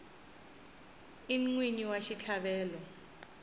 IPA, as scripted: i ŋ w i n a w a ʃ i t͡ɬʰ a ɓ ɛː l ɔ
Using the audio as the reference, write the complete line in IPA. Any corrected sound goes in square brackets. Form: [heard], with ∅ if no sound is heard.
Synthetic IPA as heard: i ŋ w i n [i] w a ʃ i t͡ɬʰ a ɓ ɛː l ɔ